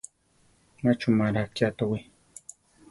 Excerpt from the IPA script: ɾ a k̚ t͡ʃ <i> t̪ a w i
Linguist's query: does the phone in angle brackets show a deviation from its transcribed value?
yes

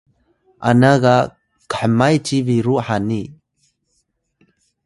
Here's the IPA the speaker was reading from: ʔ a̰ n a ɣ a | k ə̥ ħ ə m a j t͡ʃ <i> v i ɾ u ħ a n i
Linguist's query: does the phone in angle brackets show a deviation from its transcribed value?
no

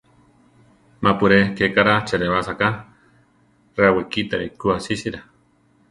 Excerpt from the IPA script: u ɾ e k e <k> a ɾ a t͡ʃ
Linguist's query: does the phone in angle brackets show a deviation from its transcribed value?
no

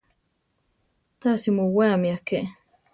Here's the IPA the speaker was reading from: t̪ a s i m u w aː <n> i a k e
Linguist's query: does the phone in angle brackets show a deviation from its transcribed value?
yes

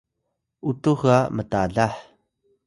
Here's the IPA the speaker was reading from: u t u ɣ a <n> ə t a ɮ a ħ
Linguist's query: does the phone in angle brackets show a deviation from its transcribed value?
yes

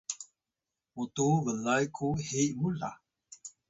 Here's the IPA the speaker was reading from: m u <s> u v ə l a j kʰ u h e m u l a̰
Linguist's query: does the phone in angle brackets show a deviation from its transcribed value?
yes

